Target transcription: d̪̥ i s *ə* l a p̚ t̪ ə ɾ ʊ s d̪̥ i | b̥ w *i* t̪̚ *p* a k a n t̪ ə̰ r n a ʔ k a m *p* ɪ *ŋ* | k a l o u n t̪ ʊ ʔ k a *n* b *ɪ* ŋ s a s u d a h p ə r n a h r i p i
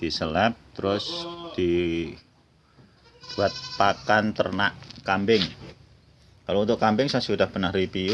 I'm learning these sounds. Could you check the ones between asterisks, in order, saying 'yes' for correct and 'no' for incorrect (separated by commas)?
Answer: yes, no, yes, no, yes, no, yes